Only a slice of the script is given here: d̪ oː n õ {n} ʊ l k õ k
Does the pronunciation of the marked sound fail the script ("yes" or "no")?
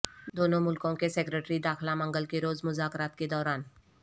yes